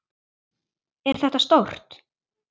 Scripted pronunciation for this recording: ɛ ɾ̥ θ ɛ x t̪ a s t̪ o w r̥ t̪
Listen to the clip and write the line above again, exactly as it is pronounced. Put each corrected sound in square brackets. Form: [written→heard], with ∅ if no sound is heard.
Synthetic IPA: ɛ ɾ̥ θ ɛ [x→h] t̪ a s t̪ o w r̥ t̪